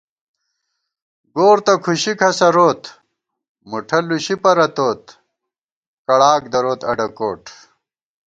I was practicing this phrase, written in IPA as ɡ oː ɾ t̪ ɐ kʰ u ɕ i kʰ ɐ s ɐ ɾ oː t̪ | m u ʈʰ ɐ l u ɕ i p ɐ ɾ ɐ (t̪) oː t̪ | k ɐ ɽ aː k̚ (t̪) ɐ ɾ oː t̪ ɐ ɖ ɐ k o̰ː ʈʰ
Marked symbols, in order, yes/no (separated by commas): yes, no